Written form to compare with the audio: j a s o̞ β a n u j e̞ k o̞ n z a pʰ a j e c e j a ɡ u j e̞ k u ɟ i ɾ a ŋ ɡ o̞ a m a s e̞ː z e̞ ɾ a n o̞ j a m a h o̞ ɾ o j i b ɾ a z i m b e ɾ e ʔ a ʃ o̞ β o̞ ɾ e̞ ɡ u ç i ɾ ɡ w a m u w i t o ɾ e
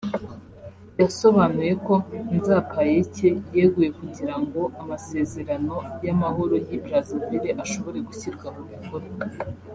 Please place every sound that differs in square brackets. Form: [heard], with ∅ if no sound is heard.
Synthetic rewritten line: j a s o̞ β a n u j e̞ k o̞ n z a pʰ a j e c e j [e] ɡ u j e̞ k u ɟ i ɾ a ŋ ɡ o̞ a m a s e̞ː z e̞ ɾ a n o̞ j a m a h o̞ ɾ o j i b ɾ a z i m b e ɾ e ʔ a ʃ o̞ β o̞ ɾ e̞ ɡ u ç i ɾ ɡ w a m u [β] i [k] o ɾ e